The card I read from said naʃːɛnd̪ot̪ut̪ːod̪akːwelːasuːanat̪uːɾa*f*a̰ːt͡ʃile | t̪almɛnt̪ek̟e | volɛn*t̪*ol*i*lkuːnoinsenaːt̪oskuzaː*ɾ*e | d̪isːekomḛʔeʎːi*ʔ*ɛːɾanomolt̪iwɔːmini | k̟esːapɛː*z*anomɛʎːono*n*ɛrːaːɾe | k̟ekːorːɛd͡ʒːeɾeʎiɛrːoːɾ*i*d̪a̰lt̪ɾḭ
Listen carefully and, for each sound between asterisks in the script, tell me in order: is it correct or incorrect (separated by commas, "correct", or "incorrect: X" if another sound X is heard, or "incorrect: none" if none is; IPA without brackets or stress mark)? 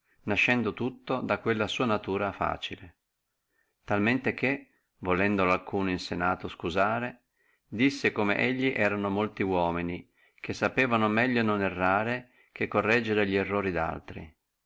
correct, incorrect: d̪, incorrect: a, correct, correct, incorrect: v, correct, correct